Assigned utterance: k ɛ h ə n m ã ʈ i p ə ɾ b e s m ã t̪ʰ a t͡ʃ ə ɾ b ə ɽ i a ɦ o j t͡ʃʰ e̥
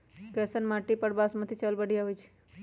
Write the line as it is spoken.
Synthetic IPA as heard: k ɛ s ə n m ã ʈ i p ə ɽ b a s m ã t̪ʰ i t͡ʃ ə l b ə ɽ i a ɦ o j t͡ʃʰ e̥

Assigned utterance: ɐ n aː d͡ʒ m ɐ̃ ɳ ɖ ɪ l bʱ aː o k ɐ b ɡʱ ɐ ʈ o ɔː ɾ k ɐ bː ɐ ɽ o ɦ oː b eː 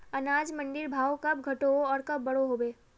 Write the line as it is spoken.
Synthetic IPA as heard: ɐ n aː d͡ʒ m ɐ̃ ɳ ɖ ɪ ɾ bʱ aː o k ɐ b ɡʱ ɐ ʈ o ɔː ɾ k ɐ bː ɐ ɽ o ɦ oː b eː

